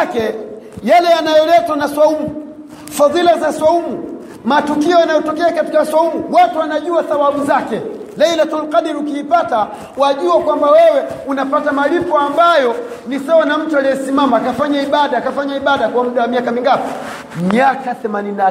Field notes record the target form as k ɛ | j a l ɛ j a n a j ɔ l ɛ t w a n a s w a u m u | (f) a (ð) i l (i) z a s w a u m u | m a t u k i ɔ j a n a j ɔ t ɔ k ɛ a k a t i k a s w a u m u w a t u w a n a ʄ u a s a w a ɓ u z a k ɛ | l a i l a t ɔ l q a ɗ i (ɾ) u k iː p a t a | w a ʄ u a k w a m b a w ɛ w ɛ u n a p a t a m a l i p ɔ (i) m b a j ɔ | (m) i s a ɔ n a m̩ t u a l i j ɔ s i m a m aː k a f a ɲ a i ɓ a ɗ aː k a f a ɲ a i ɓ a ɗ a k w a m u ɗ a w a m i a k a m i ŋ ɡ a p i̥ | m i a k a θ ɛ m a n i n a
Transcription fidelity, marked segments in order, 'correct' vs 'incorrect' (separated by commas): correct, correct, incorrect, correct, incorrect, incorrect